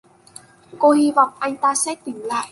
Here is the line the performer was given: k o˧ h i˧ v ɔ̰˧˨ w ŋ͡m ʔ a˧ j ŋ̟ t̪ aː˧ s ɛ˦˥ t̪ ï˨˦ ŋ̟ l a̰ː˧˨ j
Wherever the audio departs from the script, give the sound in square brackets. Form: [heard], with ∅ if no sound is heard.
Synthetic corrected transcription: k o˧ h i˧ v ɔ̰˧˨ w ŋ͡m ʔ a˧ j ŋ̟ t̪ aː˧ s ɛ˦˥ t̪ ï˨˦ ŋ̟ l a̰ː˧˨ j